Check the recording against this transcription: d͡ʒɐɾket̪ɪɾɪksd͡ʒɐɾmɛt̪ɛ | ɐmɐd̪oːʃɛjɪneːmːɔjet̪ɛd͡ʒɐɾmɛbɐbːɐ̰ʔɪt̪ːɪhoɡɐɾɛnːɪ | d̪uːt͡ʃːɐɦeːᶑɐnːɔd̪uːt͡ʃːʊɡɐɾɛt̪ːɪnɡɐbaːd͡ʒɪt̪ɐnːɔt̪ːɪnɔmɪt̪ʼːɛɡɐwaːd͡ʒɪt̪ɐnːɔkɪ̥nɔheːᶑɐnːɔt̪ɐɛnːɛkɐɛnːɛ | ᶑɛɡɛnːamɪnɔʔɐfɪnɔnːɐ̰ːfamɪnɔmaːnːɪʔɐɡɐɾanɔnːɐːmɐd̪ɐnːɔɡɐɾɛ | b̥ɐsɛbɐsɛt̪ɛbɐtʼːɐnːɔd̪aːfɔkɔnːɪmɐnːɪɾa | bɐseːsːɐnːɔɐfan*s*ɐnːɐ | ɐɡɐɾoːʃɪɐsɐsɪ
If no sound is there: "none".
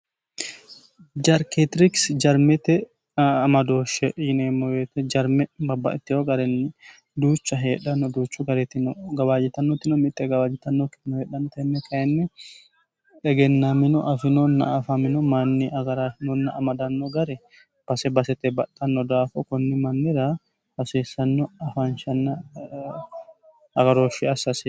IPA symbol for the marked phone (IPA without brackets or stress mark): ʃ